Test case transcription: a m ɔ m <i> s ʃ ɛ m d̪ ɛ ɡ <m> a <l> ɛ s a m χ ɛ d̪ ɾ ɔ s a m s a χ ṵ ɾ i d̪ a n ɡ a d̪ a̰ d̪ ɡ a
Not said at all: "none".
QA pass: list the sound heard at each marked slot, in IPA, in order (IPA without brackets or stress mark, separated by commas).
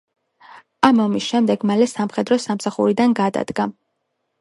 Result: i, m, l